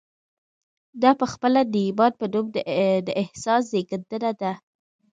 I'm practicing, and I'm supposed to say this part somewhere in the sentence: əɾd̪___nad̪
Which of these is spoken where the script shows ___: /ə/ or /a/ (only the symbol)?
ə